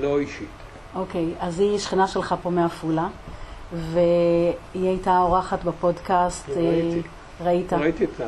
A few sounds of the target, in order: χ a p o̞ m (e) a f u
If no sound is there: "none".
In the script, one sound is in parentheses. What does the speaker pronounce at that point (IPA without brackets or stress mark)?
e